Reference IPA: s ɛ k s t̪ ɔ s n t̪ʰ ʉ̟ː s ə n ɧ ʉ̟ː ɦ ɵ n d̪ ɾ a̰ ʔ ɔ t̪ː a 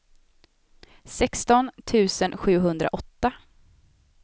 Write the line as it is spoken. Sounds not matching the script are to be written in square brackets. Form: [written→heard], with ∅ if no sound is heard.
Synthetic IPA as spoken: s ɛ k s t̪ ɔ [s→∅] n t̪ʰ ʉ̟ː s ə n ɧ ʉ̟ː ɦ ɵ n d̪ ɾ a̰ ʔ ɔ t̪ː a